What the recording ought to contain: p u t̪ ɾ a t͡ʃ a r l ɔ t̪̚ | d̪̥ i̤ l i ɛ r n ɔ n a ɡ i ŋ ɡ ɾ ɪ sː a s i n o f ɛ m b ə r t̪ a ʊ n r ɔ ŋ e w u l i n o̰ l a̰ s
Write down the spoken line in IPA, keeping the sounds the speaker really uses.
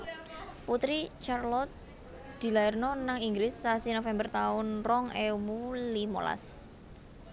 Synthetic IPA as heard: p u t̪ ɾ i t͡ʃ a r l ɔ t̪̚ | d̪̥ i̤ l a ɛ r n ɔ n a ŋ i ŋ ɡ ɾ ɪ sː a s i n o f ɛ m b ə r t̪ a ʊ n r ɔ ŋ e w u l i m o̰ l a̰ s